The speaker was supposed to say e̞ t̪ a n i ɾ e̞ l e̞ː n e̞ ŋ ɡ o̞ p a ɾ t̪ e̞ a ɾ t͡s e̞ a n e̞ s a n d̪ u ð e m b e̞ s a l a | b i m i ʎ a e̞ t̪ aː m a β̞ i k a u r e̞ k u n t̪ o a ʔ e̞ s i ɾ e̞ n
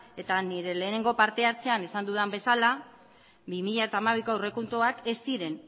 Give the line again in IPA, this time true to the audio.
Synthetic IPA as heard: e̞ t̪ a n i ɾ e̞ l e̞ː n e̞ ŋ ɡ o̞ p a ɾ t̪ e̞ a ɾ t͡s e̞ a n e̞ s a n d̪ u ð a m b e̞ s a l a | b i m i ʎ a e̞ t̪ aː m a β̞ i k a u r e̞ k u n t̪ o a k e̞ s i ɾ e̞ n